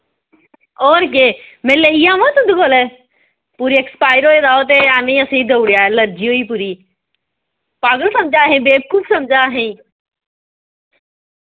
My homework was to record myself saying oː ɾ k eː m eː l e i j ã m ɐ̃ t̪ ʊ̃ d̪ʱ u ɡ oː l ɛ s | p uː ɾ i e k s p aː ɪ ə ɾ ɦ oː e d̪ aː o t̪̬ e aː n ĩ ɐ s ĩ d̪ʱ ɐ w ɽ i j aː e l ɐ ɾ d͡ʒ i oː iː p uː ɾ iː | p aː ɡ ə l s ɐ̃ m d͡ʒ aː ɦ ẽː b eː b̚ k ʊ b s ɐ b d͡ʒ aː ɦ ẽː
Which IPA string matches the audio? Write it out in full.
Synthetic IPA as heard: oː ɾ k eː m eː l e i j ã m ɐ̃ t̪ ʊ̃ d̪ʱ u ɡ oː l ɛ | p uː ɾ i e k s p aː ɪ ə ɾ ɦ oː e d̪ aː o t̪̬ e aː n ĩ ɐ s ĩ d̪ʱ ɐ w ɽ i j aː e l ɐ ɾ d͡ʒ i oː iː p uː ɾ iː | p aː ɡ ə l s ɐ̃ m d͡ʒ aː ɦ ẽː b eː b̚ k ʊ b s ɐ m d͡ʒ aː ɦ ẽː